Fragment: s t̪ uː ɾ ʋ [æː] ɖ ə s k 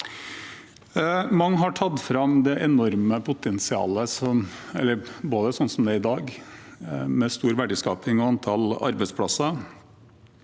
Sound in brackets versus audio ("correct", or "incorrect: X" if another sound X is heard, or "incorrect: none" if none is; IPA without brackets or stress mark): incorrect: æ